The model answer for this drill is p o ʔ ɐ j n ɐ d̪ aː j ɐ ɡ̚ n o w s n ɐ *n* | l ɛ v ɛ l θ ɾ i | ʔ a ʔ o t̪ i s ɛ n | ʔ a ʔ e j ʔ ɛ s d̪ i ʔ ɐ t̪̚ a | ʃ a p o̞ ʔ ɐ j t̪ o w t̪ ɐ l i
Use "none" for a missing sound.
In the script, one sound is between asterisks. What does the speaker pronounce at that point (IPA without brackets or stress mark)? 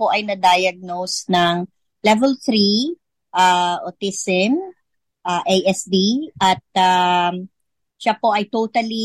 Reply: ŋ